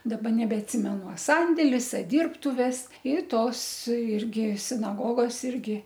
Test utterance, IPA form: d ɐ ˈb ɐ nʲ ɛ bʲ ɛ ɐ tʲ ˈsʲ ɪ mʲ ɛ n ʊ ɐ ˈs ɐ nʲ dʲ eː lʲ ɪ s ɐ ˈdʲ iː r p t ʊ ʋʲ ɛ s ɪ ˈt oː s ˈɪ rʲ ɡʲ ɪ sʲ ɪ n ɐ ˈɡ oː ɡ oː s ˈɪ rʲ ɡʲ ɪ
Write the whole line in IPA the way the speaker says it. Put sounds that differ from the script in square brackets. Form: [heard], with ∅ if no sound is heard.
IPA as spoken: d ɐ ˈb ɐ nʲ ɛ bʲ ɛ ɐ tʲ ˈsʲ ɪ mʲ ɛ n ʊ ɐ ˈs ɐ nʲ dʲ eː lʲ ɪ s ɐ ˈdʲ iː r p t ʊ ʋʲ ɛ s ɪ ˈt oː s ˈɪ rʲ ɡʲ ɪ sʲ ɪ n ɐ ˈɡ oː ɡ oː s ˈɪ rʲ ɡʲ ɪ

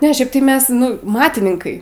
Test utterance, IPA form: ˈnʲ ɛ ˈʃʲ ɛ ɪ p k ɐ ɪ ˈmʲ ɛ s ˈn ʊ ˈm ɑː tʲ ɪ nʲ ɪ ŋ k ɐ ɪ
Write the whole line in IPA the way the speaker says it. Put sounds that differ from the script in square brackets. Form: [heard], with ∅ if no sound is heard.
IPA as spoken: ˈnʲ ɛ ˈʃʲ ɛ ɪ p [t] ɐ ɪ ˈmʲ ɛ s ˈn ʊ ˈm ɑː tʲ ɪ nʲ ɪ ŋ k ɐ ɪ

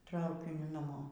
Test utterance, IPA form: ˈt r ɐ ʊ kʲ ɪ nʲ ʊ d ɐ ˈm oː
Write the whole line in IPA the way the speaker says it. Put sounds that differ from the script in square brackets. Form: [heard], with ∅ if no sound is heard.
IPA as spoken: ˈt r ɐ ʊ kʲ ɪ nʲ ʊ [n] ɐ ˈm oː

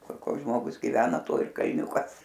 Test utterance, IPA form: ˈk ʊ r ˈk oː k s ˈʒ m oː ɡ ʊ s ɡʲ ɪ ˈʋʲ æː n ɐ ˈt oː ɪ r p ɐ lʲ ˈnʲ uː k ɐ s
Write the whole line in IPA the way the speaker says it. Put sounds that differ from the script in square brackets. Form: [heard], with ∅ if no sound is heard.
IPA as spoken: ˈk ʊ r ˈk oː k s ˈʒ m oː ɡ ʊ s ɡʲ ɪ ˈʋʲ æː n ɐ ˈt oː ɪ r [k] ɐ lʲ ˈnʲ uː k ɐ s

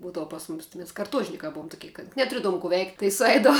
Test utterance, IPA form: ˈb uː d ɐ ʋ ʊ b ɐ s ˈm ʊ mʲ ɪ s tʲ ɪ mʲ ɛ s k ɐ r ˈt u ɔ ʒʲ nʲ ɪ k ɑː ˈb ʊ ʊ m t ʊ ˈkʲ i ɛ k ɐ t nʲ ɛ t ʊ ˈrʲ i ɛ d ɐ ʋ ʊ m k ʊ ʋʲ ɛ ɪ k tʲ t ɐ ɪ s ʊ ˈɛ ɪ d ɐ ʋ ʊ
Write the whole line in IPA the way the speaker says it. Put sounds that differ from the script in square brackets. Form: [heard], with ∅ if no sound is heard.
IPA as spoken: ˈb uː d ɐ ʋ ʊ [p] ɐ s ˈm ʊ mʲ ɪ s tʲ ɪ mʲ ɛ s k ɐ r ˈt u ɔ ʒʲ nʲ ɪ k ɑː ˈb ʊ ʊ m t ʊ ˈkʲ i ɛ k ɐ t nʲ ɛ t ʊ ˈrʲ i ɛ d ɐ ʋ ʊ m k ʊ ʋʲ ɛ ɪ k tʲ t ɐ ɪ s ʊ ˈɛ ɪ d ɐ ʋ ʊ

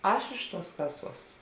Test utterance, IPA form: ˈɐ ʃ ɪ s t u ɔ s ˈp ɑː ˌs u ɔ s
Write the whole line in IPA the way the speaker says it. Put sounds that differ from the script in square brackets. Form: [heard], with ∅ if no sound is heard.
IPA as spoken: ˈɐ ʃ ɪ [ʃ] t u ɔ s [ˈk] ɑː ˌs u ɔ s

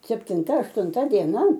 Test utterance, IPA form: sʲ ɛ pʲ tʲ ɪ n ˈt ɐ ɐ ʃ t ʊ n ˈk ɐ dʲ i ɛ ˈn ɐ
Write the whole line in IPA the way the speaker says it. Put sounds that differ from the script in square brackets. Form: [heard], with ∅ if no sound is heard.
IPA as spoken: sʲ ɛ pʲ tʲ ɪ n ˈt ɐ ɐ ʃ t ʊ n [ˈt] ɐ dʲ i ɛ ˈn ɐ

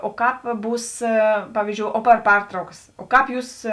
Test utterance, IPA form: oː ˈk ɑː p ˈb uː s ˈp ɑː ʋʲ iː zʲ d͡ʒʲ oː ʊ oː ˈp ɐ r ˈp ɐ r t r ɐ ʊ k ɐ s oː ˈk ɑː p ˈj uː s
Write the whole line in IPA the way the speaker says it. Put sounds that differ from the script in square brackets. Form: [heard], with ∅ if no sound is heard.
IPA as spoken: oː ˈk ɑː p ˈb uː s ˈp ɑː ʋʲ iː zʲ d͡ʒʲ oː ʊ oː ˈp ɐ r ˈp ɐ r t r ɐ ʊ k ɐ s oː ˈk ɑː p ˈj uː s

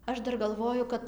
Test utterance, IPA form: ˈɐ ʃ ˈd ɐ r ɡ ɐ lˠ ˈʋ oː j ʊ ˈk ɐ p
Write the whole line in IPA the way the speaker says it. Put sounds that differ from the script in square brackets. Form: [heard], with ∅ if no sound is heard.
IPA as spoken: ˈɐ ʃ ˈd ɐ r ɡ ɐ lˠ ˈʋ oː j ʊ ˈk ɐ [t]

